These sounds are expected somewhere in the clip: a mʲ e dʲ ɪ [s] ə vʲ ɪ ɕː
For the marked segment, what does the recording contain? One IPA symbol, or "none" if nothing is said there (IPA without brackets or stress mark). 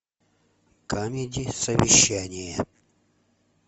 s